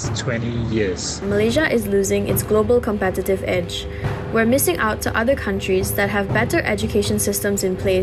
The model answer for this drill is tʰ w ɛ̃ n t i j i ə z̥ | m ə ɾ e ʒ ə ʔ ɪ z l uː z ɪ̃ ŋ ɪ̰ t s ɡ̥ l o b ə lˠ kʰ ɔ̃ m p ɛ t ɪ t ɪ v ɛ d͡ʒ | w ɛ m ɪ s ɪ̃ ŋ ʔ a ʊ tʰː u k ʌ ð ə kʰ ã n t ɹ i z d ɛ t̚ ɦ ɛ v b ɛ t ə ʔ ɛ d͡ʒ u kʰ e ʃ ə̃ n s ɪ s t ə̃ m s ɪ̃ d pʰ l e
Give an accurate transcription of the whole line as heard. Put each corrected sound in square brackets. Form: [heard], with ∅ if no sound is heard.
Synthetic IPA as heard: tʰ w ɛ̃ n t i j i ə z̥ | m ə [l] e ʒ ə ʔ ɪ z l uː z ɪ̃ ŋ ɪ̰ t s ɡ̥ l o b ə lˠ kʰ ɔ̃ m p ɛ t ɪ t ɪ v ɛ d͡ʒ | w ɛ m ɪ s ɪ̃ ŋ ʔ a ʊ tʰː u [ʔ] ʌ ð ə kʰ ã n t ɹ i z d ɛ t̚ ɦ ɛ v b ɛ t ə ʔ ɛ d͡ʒ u kʰ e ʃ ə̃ n s ɪ s t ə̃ m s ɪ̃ [n] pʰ l e